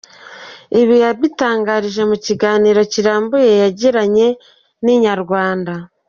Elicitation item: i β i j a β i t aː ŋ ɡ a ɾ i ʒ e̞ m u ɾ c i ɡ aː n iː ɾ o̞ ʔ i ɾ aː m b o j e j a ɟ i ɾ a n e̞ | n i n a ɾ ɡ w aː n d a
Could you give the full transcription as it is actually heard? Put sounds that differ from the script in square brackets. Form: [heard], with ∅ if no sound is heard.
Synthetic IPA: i β i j a β i t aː ŋ ɡ a ɾ i ʒ e̞ m u [∅] c i ɡ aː n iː ɾ o̞ [c] i ɾ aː m b o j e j a ɟ i ɾ a [ɲ] e̞ | n i [ɲ] a ɾ ɡ w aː n d a